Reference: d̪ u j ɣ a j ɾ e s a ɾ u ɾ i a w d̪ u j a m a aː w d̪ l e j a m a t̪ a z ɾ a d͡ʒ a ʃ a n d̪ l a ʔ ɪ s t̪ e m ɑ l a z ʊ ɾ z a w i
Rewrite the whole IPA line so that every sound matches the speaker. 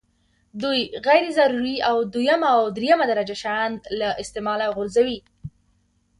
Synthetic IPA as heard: d̪ u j ɣ a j ɾ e z a ɾ u ɾ i a w d̪ u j a m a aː w d̪ ɾ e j a m a d̪ a ɾ a d͡ʒ a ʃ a n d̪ l a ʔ ɪ s t̪ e m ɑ l a ɣ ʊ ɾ z a w i